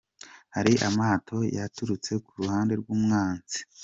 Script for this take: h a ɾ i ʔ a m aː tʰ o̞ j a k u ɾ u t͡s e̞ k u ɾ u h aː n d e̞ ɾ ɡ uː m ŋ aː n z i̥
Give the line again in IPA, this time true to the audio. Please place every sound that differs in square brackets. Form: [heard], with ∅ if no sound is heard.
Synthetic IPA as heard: h a ɾ i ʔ a m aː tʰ o̞ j a [t] u ɾ u t͡s e̞ k u ɾ u h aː n d e̞ ɾ ɡ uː m ŋ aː n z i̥